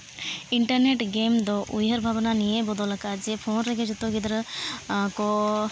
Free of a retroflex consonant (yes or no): no